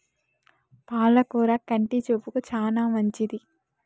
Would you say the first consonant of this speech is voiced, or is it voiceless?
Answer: voiceless